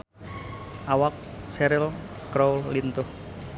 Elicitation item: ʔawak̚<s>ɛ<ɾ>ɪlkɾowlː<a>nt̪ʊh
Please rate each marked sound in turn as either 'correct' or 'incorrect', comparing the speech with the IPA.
correct, correct, incorrect

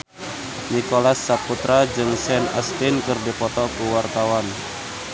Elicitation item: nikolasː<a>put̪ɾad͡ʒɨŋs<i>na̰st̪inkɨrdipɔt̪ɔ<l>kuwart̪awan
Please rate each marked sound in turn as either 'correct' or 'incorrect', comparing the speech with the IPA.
correct, incorrect, incorrect

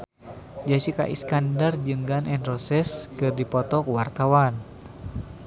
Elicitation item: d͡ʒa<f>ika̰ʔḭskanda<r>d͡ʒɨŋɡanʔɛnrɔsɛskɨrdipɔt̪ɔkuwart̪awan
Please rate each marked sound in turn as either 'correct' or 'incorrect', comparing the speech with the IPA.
incorrect, correct

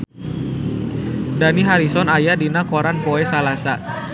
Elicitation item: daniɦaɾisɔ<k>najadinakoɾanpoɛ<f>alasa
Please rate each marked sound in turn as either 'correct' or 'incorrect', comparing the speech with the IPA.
incorrect, incorrect

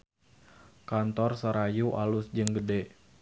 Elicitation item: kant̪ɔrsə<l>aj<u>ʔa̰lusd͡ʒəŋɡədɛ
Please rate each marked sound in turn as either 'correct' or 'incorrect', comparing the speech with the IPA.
incorrect, correct

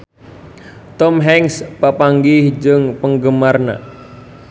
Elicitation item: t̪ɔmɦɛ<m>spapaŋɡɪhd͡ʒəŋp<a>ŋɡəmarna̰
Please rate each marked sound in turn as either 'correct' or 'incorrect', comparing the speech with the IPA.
incorrect, incorrect

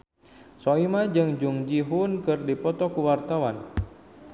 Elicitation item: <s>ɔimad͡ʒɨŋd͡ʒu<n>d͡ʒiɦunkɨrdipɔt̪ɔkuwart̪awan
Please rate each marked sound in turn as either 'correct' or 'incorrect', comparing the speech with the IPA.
correct, incorrect

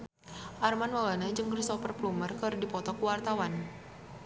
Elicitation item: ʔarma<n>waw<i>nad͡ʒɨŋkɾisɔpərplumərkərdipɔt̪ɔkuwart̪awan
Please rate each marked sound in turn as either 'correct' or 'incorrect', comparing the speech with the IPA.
correct, incorrect

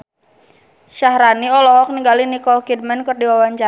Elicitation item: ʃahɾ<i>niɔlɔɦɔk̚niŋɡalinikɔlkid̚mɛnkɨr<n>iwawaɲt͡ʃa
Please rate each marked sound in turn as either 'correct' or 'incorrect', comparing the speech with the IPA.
incorrect, incorrect

